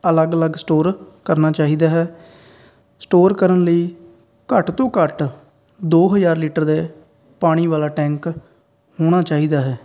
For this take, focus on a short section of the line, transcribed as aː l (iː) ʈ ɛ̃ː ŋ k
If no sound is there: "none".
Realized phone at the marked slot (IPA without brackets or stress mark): aː